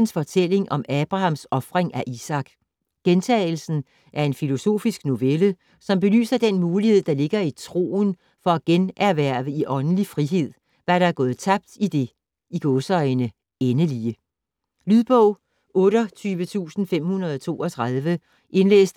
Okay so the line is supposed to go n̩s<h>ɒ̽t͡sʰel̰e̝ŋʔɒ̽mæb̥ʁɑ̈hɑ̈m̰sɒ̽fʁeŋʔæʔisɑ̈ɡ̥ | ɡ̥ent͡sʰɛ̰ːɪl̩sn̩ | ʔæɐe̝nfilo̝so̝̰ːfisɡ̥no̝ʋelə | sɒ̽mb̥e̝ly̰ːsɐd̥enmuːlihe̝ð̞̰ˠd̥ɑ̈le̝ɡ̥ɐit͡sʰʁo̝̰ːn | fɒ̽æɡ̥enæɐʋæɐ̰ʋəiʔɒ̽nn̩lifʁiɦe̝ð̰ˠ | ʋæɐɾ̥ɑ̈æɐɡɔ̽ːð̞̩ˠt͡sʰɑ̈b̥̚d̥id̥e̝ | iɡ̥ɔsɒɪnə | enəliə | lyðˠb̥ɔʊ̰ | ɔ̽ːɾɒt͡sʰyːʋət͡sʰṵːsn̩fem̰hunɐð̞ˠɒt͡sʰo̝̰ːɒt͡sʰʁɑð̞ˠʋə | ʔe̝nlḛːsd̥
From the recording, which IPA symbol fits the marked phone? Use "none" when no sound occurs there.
f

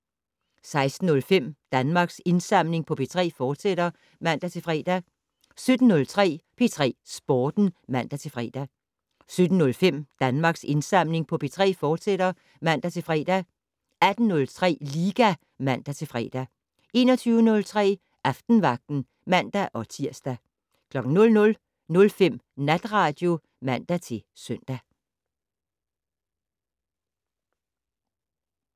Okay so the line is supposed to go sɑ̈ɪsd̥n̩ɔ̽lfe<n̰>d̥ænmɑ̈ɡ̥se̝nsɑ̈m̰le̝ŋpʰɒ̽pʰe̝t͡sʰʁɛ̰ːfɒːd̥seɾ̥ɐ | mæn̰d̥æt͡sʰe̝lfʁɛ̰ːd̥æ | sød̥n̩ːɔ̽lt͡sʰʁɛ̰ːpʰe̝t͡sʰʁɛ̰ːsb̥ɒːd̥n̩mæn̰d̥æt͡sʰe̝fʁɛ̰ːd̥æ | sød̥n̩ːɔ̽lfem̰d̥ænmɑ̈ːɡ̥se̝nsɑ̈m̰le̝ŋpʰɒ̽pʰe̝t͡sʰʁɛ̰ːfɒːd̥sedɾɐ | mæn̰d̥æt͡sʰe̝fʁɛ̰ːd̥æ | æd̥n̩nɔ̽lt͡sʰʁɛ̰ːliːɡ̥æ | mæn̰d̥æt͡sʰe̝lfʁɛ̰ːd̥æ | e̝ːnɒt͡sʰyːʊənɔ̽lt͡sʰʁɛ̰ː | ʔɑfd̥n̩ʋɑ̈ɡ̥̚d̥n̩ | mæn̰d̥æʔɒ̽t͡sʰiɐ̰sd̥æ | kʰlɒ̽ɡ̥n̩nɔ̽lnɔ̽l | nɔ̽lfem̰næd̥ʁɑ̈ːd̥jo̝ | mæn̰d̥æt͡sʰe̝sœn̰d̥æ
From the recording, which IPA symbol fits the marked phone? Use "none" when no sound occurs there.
m̰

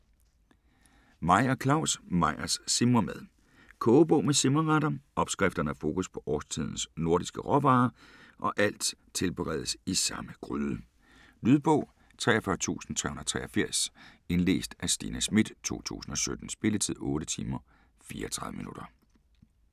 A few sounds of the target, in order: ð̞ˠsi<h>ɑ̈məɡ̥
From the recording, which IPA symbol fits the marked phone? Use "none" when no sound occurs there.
s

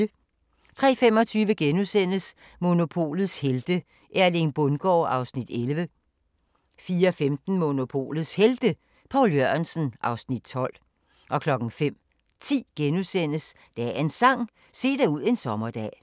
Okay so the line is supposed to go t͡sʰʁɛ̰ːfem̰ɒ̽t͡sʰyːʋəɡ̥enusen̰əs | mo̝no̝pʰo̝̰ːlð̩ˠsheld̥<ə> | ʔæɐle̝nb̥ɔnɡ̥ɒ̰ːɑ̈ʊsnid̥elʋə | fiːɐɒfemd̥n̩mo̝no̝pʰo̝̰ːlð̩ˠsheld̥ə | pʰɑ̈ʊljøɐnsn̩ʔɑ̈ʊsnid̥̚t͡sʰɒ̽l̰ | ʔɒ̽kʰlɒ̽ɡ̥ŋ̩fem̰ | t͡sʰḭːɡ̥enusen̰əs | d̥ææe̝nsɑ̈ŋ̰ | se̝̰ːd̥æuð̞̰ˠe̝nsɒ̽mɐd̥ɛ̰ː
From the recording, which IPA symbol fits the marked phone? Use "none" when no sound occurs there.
ə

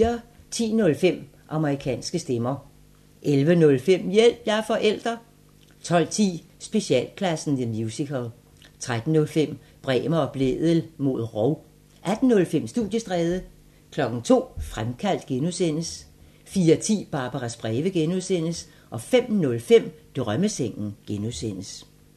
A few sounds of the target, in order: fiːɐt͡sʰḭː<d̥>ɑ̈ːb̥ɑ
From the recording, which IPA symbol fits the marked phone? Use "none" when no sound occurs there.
b̥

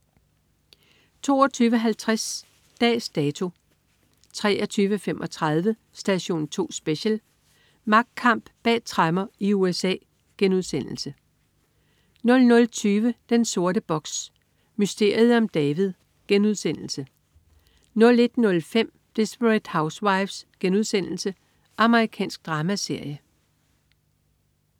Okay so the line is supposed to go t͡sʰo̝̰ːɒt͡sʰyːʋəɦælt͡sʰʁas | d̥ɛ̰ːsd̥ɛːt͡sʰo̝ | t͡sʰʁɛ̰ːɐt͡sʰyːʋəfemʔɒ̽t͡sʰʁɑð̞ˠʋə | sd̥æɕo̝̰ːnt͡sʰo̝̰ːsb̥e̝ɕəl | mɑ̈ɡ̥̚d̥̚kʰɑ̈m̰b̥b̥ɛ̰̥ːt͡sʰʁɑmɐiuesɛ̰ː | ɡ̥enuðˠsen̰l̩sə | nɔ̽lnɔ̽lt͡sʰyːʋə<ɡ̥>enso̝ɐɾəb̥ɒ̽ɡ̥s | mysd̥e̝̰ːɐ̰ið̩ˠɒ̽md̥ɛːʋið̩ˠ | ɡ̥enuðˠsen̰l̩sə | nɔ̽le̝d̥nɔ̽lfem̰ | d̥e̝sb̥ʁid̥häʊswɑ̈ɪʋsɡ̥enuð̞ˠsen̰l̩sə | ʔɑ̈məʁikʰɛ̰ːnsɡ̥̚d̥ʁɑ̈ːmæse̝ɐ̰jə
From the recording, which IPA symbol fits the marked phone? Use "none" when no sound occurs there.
d̥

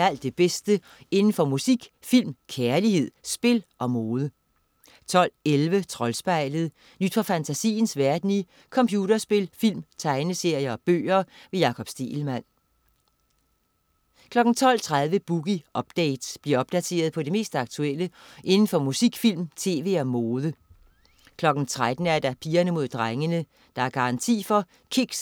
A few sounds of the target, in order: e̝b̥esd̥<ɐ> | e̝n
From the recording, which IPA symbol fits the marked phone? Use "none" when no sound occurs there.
ə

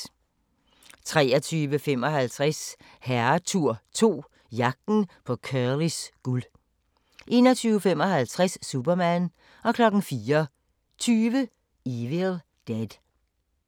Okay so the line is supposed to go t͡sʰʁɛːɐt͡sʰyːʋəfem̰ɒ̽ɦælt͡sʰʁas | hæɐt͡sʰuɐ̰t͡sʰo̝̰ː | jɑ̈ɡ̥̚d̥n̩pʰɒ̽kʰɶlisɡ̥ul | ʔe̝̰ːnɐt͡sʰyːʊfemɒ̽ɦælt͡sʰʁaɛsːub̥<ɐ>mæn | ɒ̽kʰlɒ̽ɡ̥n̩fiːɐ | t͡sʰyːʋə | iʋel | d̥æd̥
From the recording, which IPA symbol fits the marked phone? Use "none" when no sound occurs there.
ɐ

